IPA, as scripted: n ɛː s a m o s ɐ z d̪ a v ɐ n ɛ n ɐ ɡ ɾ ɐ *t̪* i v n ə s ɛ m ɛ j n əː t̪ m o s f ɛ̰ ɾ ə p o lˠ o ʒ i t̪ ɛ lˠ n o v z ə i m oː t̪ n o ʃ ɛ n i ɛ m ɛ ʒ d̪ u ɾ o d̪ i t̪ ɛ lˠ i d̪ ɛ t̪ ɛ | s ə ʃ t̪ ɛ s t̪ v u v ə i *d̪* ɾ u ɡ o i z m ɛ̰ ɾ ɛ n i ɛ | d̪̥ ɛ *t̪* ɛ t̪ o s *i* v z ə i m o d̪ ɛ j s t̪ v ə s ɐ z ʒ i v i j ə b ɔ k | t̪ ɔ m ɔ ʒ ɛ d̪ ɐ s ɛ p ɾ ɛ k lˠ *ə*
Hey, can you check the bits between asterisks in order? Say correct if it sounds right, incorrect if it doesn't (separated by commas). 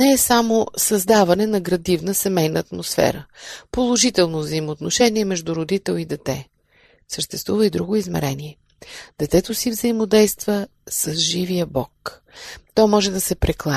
incorrect, correct, correct, correct, incorrect